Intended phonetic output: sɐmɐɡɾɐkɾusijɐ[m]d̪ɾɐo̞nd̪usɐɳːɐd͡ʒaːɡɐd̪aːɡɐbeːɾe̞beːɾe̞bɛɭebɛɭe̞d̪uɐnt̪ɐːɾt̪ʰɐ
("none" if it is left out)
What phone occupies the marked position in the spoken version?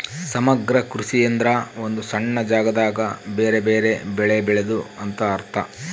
n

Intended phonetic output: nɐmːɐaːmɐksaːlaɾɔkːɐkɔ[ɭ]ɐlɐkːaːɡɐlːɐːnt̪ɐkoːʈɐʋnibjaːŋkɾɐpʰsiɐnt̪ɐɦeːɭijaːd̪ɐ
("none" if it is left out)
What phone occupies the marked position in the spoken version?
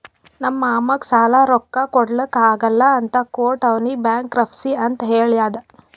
ɽ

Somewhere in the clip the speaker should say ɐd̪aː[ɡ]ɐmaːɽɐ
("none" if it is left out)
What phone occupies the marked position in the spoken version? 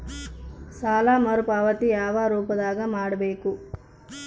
ɡ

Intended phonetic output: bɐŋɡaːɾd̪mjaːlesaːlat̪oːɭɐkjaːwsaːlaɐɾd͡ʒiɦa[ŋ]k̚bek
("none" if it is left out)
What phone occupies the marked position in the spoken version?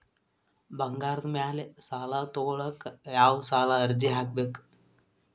none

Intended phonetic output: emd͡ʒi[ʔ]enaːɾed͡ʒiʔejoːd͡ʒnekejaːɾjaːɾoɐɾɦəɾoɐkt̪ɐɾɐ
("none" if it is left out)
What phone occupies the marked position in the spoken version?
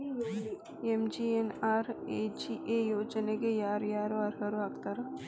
none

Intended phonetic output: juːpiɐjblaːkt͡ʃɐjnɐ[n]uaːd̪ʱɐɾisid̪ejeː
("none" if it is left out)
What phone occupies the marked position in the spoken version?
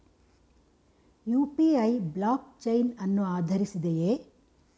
nː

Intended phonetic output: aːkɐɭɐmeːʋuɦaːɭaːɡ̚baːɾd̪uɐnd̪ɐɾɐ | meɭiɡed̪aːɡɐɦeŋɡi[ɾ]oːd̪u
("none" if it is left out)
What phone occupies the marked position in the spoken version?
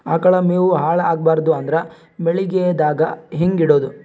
ɽ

